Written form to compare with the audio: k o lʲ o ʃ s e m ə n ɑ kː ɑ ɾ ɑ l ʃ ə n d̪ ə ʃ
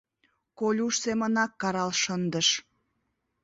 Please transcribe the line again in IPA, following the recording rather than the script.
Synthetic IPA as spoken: k o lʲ u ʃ s e m ə n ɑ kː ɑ ɾ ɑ l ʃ ə n d̪ ə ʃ